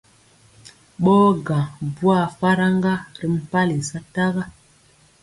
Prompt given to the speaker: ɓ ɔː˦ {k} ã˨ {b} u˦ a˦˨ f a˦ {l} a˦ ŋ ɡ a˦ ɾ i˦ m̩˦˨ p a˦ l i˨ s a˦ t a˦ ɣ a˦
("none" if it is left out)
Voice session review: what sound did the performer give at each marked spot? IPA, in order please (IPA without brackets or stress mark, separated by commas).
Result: ɡ, b, ɾ